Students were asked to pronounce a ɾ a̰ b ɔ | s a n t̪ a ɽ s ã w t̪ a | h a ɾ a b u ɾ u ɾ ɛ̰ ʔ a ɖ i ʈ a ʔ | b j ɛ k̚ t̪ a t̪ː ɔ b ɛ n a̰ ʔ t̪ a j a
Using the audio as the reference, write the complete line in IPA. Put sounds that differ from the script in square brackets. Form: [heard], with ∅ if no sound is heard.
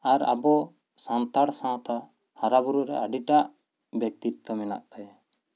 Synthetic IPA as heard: a ɾ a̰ b ɔ | s a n t̪ a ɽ s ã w t̪ a | h a ɾ a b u ɾ u ɾ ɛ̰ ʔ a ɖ i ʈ a ʔ | b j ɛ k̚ t̪ [i] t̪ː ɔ [m] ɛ n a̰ ʔ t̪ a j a